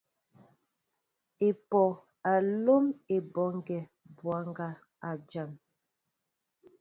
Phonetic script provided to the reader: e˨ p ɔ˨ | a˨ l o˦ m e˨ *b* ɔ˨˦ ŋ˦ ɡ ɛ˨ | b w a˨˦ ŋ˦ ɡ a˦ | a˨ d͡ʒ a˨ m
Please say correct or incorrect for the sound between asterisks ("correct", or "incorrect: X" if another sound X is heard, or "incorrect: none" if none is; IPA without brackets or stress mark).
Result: correct